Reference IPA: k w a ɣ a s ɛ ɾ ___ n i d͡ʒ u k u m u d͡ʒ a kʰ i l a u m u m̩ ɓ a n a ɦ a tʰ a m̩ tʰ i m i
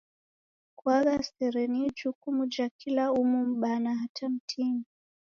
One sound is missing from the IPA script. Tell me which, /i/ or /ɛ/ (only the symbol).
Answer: ɛ